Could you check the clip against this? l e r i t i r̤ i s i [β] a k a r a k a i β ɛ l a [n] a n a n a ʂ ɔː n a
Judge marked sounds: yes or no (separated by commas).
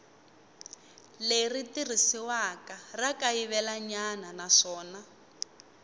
no, no